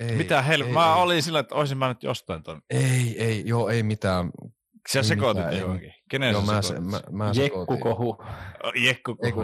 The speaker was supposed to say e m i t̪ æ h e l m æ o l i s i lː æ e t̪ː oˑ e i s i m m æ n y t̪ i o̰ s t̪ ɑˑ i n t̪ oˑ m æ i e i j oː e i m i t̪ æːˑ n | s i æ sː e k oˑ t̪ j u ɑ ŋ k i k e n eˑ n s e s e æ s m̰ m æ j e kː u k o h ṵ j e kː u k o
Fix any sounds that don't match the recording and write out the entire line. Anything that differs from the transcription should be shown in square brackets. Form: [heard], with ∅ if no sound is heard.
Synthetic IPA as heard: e m i t̪ æ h e l m æ o l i s i lː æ e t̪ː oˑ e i s i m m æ n y t̪ [j] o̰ s t̪ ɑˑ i n t̪ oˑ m [e] i e i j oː e i m i t̪ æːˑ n | s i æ [s] e k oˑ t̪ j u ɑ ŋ k i k e n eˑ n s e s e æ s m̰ m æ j e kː u k o h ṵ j e kː u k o